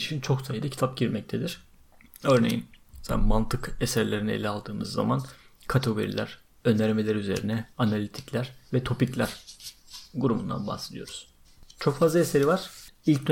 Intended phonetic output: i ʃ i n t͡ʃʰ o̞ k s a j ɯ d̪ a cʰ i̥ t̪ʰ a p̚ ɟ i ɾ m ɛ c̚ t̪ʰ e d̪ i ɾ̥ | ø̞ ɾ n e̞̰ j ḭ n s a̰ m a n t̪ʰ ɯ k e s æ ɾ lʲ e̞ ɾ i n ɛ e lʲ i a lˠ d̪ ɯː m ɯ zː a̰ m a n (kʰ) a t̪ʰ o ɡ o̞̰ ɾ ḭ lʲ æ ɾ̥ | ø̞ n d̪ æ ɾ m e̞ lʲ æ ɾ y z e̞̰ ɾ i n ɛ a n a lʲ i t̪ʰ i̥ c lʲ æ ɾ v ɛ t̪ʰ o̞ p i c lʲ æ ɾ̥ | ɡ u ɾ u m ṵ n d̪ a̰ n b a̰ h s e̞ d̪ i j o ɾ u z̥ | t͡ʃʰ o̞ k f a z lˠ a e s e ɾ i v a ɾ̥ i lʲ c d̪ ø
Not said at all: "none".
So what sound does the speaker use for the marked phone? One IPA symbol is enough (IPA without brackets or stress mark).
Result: kʰ